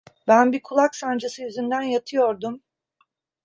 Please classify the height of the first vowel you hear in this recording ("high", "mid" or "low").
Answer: low